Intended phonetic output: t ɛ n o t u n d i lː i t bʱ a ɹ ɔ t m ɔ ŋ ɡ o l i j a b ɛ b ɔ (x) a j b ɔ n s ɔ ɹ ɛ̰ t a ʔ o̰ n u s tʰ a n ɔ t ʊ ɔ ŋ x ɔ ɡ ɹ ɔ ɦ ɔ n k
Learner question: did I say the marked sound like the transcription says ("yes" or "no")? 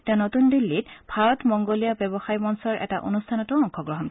yes